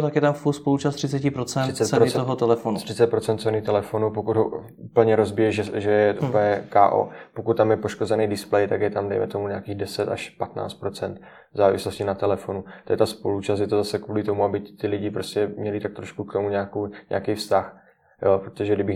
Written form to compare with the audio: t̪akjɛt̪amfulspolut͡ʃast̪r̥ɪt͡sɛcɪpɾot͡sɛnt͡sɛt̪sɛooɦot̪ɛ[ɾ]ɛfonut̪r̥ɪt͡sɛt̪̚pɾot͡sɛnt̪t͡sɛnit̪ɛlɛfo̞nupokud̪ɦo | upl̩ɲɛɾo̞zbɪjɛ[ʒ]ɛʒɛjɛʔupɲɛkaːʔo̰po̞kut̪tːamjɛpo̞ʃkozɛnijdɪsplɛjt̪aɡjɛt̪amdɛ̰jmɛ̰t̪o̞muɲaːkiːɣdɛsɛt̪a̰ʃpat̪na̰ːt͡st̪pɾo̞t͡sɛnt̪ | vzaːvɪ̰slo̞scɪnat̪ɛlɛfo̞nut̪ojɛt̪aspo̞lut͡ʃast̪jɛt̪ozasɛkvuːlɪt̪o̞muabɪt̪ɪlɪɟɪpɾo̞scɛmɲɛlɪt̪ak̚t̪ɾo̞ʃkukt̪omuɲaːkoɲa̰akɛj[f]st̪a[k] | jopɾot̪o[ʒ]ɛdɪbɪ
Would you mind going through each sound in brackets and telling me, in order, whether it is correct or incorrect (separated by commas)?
incorrect, correct, correct, incorrect, correct